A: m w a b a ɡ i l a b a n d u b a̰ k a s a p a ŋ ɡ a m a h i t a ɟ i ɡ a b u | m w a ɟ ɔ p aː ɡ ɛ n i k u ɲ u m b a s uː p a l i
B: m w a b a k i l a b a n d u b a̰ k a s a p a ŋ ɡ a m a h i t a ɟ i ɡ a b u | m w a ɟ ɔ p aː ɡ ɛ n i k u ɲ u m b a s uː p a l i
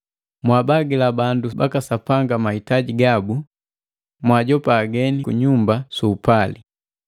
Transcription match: A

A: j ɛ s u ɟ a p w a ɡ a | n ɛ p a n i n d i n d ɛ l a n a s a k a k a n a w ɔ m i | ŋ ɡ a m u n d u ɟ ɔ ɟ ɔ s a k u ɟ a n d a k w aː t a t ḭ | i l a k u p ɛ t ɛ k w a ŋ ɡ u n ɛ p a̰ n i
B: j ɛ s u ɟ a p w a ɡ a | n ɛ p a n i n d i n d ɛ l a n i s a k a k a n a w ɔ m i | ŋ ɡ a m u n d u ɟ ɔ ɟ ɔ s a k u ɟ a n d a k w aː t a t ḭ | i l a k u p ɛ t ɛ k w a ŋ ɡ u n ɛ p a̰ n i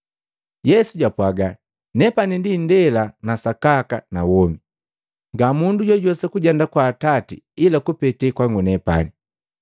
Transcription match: A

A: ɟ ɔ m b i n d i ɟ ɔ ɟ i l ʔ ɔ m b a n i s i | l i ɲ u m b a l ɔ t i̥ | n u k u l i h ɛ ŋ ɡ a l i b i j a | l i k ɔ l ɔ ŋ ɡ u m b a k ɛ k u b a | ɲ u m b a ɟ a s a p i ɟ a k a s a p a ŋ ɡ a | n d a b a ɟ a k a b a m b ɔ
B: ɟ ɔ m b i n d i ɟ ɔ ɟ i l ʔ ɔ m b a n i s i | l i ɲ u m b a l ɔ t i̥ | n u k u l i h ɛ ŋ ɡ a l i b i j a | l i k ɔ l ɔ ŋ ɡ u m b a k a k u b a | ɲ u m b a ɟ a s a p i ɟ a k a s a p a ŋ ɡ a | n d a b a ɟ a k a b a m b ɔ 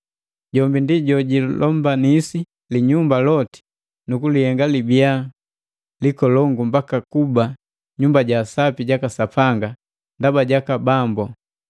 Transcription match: B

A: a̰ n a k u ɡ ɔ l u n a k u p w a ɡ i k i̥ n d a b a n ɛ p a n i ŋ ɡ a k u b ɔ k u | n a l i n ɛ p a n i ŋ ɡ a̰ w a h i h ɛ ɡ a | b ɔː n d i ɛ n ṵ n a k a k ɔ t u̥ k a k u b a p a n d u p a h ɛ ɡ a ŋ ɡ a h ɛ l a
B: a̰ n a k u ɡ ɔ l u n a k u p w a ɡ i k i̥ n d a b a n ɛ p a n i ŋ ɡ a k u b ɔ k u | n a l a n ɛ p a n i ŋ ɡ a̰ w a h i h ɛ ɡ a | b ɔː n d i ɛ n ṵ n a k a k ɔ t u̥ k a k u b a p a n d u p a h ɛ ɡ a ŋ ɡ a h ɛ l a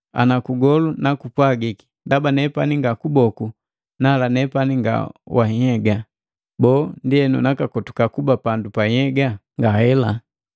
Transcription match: B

